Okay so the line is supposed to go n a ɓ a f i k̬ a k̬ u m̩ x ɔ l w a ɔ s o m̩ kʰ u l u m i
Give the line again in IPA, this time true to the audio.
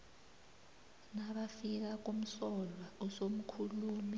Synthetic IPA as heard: n a ɓ a f i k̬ a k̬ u m̩ s ɔ l w a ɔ s o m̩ kʰ u l uː m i